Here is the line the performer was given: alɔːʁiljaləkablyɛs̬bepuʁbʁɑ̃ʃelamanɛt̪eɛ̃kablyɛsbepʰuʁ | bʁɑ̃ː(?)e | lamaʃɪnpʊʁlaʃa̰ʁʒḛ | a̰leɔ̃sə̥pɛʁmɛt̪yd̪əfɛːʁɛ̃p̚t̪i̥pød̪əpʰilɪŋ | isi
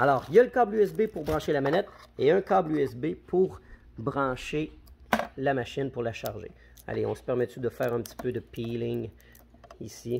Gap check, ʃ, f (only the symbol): ʃ